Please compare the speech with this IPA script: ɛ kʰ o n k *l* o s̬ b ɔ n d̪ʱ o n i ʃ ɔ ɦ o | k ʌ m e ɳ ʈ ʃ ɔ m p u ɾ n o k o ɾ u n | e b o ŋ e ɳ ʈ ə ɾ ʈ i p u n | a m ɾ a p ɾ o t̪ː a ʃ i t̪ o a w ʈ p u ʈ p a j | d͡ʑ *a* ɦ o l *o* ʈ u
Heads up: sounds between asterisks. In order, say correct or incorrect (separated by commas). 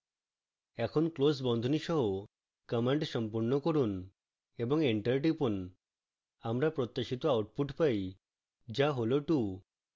correct, correct, correct